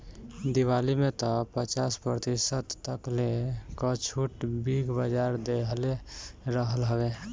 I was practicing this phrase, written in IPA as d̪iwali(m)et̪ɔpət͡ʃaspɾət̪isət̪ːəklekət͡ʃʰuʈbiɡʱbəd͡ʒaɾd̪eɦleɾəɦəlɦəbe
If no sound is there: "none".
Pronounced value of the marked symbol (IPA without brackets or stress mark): m